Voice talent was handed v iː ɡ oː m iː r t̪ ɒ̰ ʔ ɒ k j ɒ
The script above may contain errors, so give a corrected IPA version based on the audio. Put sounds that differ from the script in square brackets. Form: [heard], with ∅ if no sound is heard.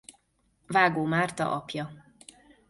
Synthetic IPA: v [aː] ɡ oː m [aː] r t̪ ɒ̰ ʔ ɒ [p] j ɒ